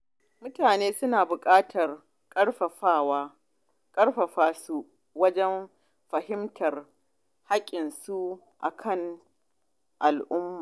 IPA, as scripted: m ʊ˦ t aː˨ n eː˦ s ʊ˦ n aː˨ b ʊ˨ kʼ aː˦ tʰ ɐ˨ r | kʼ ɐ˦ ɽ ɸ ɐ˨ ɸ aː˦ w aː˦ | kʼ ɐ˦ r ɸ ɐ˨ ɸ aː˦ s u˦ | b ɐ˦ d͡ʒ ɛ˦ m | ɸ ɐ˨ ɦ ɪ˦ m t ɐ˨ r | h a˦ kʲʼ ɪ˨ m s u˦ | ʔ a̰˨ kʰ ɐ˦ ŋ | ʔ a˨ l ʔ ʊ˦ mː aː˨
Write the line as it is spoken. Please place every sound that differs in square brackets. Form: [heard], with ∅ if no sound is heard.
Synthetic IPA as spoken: m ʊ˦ t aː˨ n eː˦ s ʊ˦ n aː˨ b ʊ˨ kʼ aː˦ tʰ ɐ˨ r | kʼ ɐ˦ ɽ ɸ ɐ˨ ɸ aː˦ w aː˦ | kʼ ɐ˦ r ɸ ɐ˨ ɸ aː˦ s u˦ | [w] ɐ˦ d͡ʒ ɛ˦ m | ɸ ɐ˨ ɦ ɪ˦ m t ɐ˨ r | h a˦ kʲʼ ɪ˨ [n] s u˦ | ʔ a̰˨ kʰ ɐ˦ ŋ | ʔ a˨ l ʔ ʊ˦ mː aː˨

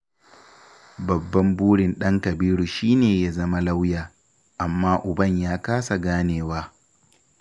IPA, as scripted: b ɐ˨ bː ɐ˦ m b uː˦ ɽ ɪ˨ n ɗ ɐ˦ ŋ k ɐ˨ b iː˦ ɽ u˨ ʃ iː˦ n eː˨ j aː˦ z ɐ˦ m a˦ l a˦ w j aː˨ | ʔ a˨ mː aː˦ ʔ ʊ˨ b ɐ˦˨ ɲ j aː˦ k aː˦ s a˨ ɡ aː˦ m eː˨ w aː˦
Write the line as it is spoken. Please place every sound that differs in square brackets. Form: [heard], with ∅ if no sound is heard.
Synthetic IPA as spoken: b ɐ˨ bː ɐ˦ m b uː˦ ɽ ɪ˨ n ɗ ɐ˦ ŋ k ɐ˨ b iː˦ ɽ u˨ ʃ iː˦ n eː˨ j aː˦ z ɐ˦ m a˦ l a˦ w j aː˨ | ʔ a˨ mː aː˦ ʔ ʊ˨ b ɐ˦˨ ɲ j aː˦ k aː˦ s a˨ ɡ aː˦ [n] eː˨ w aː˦

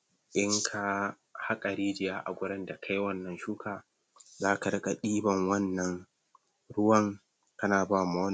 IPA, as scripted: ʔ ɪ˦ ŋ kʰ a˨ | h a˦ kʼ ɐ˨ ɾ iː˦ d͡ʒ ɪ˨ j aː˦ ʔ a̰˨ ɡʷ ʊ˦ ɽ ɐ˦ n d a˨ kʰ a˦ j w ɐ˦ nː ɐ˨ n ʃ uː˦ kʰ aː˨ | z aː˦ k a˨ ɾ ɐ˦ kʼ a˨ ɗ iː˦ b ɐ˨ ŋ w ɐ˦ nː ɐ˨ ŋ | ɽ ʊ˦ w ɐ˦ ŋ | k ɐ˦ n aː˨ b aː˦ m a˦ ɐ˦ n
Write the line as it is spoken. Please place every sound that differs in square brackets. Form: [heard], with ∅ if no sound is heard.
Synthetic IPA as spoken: ʔ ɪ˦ ŋ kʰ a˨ | h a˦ kʼ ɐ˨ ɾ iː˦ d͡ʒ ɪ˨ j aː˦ ʔ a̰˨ ɡʷ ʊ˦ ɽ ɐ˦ n d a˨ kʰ a˦ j w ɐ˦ nː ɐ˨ n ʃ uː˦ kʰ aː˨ | z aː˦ k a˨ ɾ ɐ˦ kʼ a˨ ɗ iː˦ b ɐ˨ ŋ w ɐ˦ nː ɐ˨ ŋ | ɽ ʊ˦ w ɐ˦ ŋ | k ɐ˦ n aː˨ b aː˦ m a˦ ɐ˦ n

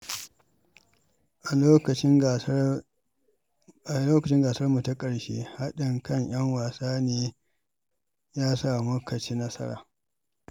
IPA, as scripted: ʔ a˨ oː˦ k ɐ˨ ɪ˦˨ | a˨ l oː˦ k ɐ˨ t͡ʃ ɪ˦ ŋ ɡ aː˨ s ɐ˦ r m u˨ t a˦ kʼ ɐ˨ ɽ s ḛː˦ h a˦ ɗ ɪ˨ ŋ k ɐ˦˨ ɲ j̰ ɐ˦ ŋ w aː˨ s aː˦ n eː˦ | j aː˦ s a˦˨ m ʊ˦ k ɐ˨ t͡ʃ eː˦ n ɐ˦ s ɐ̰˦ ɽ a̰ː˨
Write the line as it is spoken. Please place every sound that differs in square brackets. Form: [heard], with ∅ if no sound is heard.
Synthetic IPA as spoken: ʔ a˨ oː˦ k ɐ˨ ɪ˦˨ | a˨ l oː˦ k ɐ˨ t͡ʃ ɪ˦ ŋ ɡ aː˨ s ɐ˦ r m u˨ t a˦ kʼ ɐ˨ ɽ [ʃ] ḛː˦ h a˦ ɗ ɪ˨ ŋ k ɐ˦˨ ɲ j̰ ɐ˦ ŋ w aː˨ s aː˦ n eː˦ | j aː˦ s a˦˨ m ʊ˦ k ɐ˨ t͡ʃ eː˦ n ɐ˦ s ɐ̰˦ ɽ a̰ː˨

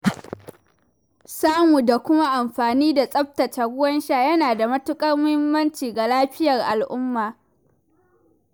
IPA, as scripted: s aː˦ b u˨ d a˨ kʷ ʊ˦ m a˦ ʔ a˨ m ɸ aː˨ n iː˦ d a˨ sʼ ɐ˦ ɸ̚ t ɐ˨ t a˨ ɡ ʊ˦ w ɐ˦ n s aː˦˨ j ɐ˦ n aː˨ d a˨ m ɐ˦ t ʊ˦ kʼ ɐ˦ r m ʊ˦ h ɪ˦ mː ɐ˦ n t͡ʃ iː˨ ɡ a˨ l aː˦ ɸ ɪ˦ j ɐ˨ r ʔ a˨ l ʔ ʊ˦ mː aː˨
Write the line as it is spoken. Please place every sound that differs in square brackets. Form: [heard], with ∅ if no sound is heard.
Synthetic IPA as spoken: s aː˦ [m] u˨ d a˨ kʷ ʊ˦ m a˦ ʔ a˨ m ɸ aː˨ n iː˦ d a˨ sʼ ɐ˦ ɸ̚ t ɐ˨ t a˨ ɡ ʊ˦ w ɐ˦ n [ʃ] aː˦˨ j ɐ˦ n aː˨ d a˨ m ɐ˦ t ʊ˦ kʼ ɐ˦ r m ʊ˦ h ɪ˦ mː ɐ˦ n t͡ʃ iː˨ ɡ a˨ l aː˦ ɸ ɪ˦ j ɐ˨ r ʔ a˨ l ʔ ʊ˦ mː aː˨

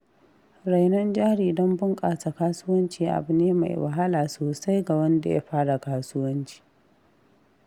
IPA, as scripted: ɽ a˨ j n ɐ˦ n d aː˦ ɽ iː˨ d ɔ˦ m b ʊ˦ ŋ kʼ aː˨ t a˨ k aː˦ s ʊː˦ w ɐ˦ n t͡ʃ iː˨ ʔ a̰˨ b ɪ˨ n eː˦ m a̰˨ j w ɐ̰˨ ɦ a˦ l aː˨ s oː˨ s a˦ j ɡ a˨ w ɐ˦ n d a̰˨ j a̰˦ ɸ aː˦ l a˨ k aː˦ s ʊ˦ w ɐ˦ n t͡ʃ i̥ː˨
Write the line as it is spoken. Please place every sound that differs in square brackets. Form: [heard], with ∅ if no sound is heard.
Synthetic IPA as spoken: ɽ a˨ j n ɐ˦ n [d͡ʒ] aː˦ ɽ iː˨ d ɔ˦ m b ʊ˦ ŋ kʼ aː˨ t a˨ k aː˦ s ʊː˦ w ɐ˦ n t͡ʃ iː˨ ʔ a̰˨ b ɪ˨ n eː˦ m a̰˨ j w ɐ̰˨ ɦ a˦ l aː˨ s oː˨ s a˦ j ɡ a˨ w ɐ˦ n d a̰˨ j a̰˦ ɸ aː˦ [ɽ] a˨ k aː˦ s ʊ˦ w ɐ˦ n t͡ʃ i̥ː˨

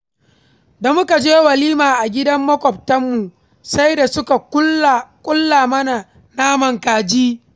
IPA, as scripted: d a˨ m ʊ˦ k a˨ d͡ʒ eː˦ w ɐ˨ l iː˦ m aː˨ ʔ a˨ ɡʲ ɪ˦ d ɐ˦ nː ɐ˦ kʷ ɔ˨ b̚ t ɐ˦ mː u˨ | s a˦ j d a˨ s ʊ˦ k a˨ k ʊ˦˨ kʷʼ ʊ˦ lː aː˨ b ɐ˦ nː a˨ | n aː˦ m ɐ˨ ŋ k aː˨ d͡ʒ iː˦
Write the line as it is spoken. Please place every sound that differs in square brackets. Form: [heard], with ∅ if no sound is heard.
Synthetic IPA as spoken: d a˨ m ʊ˦ k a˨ d͡ʒ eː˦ w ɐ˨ l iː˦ m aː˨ ʔ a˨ ɡʲ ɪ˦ d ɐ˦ [mː] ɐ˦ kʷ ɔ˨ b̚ t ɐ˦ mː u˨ | s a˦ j d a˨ s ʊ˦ k a˨ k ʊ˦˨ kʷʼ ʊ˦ lː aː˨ [m] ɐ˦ [n] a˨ | n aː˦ m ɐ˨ ŋ k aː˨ d͡ʒ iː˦

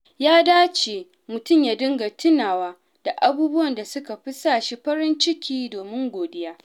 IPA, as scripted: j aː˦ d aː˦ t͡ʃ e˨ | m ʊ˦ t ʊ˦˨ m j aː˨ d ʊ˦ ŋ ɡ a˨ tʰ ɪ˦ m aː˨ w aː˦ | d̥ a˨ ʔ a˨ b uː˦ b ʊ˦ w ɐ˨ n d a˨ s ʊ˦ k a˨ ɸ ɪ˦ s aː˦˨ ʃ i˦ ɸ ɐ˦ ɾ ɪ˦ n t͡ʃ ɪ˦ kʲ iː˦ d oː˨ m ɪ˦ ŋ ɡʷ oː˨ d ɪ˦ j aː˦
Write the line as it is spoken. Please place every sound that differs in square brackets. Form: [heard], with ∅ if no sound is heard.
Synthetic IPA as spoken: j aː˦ d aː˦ t͡ʃ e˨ | m [ʊ˨] t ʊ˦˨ m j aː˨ d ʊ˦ ŋ ɡ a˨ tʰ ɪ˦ [n] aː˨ w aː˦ | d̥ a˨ ʔ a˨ b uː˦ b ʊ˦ w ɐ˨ n d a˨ s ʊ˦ k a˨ ɸ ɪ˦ s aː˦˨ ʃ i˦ ɸ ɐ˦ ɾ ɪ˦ n t͡ʃ ɪ˦ kʲ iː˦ d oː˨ m ɪ˦ ŋ ɡʷ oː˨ d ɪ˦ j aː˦

